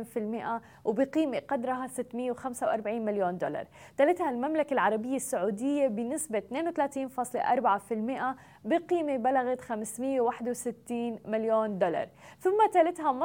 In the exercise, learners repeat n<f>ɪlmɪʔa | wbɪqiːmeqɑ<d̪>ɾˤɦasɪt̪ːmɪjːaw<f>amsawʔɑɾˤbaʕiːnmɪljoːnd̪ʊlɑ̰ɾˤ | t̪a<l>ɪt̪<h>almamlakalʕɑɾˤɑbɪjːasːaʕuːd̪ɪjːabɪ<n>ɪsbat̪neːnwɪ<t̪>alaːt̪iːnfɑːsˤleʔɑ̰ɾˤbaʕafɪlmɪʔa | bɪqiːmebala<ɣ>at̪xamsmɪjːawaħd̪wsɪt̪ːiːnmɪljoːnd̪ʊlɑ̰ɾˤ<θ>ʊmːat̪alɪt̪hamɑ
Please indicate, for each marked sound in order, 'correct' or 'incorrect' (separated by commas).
correct, correct, incorrect, correct, correct, correct, correct, correct, correct